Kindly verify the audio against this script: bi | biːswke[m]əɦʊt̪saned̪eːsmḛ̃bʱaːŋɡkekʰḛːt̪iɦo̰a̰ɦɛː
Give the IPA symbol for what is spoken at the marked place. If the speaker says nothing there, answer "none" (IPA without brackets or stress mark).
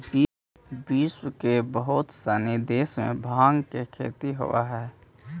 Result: b